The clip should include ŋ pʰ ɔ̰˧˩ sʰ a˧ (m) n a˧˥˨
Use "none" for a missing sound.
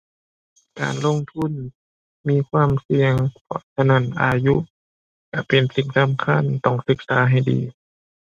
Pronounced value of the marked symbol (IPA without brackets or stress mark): none